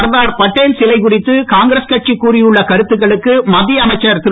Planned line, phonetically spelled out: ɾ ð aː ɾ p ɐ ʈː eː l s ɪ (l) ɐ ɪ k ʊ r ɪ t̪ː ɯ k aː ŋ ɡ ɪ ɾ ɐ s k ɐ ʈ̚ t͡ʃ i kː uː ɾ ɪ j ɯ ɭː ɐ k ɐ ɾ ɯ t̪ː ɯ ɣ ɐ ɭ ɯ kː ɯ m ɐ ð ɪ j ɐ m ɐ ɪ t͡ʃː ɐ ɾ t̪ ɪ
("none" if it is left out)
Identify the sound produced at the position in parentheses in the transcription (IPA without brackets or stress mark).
l